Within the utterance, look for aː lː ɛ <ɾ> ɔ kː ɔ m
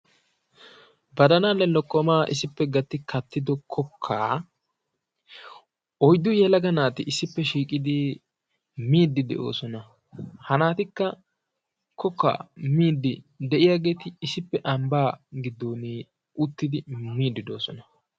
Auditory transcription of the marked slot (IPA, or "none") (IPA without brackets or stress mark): l